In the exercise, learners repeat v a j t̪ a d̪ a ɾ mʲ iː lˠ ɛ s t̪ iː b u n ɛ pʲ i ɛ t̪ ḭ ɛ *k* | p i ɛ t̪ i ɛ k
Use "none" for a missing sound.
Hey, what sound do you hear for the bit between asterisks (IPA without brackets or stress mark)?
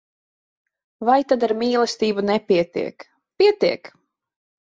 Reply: k